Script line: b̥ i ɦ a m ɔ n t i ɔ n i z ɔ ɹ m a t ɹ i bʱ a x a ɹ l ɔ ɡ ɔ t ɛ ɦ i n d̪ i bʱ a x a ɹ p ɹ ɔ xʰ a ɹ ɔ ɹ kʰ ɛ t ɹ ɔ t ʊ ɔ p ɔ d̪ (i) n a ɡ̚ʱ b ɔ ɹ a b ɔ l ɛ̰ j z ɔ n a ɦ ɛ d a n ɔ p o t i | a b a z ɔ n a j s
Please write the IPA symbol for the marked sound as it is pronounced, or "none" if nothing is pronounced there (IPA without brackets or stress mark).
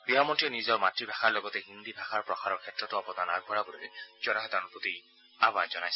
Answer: a